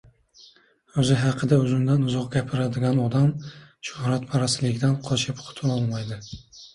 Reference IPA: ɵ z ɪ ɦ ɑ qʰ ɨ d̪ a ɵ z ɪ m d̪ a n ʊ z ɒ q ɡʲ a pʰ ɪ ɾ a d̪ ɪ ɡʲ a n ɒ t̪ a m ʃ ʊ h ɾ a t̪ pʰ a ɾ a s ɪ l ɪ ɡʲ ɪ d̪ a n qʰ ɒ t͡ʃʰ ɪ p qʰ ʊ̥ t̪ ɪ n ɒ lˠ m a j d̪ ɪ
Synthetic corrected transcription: ɵ z ɪ ɦ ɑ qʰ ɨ d̪ a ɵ z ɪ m d̪ a n ʊ z ɒ q ɡʲ a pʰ ɪ ɾ a d̪ ɪ ɡʲ a n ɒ d̪ a m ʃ ʊ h ɾ a t̪ pʰ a ɾ a s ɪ l ɪ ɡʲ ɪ d̪ a n qʰ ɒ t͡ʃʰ ɪ p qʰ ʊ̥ t̪ʰ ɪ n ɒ lˠ m a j d̪ ɪ